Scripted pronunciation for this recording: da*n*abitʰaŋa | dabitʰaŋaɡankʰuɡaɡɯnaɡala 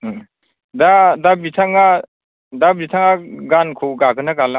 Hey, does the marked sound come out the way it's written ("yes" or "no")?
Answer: no